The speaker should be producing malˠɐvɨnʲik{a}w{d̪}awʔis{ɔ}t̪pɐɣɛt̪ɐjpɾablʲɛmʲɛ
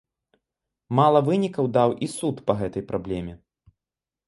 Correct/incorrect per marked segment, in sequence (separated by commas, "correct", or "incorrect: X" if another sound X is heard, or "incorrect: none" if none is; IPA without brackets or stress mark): incorrect: ɐ, correct, incorrect: u